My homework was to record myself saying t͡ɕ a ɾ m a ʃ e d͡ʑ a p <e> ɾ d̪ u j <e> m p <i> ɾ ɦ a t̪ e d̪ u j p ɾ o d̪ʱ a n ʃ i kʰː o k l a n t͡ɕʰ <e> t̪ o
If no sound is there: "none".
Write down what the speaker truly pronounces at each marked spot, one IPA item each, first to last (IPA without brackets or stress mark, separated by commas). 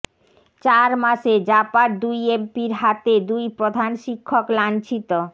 a, e, i, i